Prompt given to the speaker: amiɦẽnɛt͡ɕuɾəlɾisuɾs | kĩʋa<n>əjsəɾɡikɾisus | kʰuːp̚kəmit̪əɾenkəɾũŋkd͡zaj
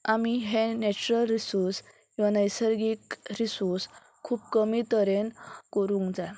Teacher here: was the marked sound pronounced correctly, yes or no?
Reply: yes